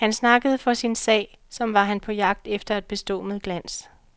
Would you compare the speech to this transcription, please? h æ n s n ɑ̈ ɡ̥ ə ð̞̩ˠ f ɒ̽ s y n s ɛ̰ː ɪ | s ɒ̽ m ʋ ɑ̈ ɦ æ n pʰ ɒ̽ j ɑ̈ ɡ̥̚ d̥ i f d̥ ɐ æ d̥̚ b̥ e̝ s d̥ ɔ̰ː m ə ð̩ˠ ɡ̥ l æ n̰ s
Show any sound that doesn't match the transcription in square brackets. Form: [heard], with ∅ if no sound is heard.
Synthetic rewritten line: h æ n s n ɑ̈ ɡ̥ ə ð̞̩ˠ f ɒ̽ s [i] n s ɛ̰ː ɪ | s ɒ̽ m ʋ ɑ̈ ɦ æ n pʰ ɒ̽ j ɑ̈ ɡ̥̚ d̥ [e] f d̥ ɐ æ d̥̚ b̥ e̝ s d̥ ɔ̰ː m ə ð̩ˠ ɡ̥ l æ n̰ s